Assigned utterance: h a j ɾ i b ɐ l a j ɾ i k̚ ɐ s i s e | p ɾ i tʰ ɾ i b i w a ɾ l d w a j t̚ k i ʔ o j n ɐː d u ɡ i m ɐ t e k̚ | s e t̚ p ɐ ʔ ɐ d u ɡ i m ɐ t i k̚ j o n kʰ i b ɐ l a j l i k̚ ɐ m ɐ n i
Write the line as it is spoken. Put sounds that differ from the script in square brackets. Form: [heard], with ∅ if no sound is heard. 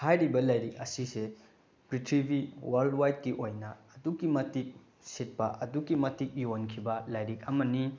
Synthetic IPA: h a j ɾ i b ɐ l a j ɾ i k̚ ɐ s i s e | p ɾ i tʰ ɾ i b i w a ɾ l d w a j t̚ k i ʔ o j n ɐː d u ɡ i m ɐ t [i] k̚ | s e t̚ p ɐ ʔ ɐ d u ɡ i m ɐ t i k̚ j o n kʰ i b ɐ l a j [ɾ] i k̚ ɐ m ɐ n i